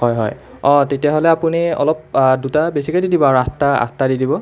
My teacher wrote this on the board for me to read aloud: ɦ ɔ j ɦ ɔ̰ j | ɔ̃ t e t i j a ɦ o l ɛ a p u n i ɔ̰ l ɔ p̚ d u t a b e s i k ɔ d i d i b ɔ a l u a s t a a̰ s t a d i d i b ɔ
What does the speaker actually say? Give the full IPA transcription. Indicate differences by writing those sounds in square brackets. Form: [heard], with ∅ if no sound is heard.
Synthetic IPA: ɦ ɔ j ɦ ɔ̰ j | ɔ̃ t e t i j a ɦ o l ɛ a p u n i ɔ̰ l ɔ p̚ d u t a b e s i k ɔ d i d i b ɔ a [ɹ] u a s t a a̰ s t a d i d i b ɔ